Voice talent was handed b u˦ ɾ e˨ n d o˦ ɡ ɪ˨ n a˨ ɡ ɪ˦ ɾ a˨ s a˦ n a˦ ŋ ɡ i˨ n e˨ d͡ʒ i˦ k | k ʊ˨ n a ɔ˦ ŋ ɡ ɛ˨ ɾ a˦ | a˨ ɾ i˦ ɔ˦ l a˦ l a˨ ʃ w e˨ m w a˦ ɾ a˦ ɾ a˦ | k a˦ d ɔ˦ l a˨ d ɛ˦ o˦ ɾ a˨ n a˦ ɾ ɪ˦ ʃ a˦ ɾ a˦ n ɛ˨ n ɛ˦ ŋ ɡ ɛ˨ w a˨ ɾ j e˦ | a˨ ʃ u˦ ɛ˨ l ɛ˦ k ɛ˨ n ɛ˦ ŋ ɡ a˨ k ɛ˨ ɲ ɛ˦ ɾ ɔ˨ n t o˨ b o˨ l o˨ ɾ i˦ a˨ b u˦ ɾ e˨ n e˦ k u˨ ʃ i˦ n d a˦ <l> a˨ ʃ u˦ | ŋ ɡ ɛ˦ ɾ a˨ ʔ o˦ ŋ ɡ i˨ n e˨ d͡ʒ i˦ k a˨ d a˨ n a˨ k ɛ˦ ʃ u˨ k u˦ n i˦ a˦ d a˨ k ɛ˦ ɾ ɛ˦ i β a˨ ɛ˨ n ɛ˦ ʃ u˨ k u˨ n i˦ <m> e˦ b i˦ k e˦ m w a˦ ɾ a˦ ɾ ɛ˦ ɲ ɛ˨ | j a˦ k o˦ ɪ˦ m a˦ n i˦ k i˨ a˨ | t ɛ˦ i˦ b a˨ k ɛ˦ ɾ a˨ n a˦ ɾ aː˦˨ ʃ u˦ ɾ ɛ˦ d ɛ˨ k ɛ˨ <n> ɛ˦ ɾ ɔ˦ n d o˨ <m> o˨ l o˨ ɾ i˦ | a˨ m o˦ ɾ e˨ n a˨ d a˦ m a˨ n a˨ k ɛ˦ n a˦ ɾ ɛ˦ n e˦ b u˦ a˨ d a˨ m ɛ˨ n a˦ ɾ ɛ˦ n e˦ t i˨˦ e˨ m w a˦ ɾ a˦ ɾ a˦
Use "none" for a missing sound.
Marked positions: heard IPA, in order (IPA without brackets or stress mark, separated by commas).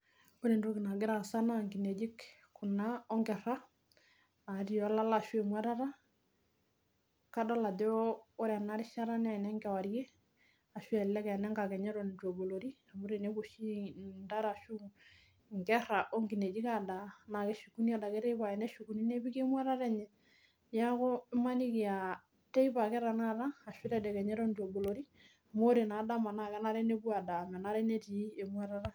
ɾ, n, ɲ, b